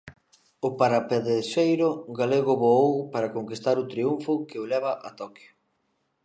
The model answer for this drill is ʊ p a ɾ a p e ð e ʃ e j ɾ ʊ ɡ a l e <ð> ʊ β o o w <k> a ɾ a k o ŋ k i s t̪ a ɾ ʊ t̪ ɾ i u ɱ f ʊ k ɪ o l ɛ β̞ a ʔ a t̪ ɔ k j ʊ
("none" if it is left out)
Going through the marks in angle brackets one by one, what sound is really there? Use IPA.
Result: ɣ, p

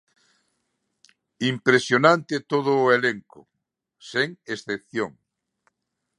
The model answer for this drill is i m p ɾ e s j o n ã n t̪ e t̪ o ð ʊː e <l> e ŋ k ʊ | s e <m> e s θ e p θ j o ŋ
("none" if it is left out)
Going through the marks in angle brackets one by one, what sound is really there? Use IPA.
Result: l, ŋ

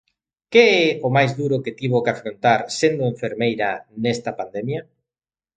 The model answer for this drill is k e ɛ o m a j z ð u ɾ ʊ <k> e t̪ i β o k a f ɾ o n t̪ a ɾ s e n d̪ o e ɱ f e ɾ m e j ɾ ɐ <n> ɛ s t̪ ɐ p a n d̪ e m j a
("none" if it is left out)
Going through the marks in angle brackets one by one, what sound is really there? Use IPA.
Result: k, n

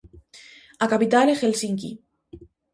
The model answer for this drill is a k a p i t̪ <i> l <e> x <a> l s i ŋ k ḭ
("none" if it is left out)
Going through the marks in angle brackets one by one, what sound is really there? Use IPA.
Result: a, e, e

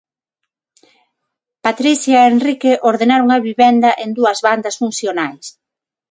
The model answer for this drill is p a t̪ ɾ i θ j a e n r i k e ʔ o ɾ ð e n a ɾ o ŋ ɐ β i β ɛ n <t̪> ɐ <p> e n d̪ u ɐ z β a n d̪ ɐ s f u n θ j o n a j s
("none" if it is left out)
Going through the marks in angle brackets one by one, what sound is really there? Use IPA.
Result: d̪, ʔ

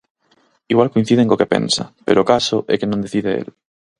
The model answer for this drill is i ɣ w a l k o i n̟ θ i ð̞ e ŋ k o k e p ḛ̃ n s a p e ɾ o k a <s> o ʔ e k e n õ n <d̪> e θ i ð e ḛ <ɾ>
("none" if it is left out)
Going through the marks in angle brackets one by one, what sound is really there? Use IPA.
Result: s, d̪, l

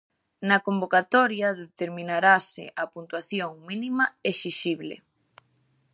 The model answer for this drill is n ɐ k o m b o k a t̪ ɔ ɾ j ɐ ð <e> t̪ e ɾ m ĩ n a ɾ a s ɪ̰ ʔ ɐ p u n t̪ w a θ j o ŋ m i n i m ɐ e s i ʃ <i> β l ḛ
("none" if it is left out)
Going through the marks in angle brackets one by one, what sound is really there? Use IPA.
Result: e, i

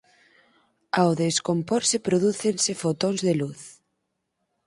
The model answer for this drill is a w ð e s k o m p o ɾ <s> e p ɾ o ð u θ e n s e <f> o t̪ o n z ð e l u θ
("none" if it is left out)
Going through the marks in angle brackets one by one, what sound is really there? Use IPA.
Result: s, f

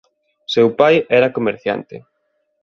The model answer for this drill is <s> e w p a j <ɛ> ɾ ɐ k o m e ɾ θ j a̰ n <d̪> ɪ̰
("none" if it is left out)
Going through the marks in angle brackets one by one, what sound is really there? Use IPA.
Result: s, ɛ, t̪

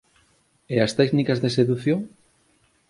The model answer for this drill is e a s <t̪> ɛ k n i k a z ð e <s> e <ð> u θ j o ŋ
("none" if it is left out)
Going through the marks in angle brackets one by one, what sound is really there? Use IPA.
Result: t̪, s, ð

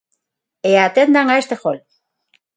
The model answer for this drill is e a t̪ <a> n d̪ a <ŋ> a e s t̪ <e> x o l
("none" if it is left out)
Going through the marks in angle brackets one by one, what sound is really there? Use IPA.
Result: e, ŋ, e

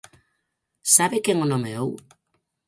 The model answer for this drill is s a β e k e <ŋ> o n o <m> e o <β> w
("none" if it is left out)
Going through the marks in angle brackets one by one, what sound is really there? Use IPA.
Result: ŋ, m, none

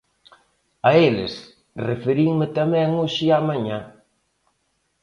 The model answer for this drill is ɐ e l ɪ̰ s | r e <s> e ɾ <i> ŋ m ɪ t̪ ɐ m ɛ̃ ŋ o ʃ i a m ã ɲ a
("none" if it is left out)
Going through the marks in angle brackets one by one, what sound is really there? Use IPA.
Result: f, i

